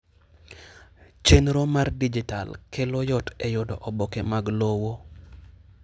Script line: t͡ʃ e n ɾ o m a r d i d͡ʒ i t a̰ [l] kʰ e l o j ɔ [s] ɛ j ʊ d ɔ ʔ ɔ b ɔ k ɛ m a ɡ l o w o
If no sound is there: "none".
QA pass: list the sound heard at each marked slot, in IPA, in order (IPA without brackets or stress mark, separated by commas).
l, t